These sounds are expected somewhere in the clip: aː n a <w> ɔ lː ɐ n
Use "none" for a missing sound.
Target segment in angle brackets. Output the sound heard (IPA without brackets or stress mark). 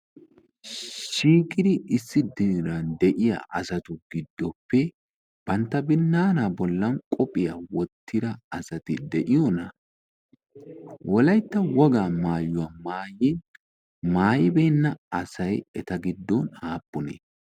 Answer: b